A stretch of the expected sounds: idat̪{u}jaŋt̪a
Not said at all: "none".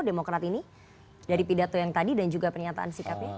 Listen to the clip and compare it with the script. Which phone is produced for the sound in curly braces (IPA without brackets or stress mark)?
o